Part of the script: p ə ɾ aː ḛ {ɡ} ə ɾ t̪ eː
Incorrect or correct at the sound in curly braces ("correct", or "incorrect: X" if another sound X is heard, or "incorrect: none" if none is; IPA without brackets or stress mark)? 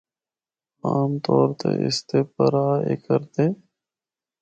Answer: incorrect: k